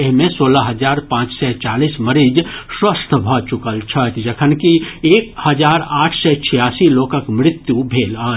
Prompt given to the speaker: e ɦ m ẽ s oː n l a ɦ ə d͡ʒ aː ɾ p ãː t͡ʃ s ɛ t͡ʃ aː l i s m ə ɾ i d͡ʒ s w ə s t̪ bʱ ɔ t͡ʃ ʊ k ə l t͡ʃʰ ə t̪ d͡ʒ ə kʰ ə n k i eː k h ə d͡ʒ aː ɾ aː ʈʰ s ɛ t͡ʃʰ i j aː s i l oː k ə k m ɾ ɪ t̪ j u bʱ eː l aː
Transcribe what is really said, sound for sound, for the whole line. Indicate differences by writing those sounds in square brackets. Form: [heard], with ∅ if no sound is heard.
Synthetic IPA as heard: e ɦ m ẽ s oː [∅] l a ɦ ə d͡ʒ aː ɾ p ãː t͡ʃ s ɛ t͡ʃ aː l i s m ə ɾ i d͡ʒ s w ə s [t̪ʰ] bʱ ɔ t͡ʃ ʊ k ə l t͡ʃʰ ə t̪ d͡ʒ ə kʰ ə n k i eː k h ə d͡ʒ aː ɾ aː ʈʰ s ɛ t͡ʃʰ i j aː s i l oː k ə k m ɾ ɪ t̪ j u bʱ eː l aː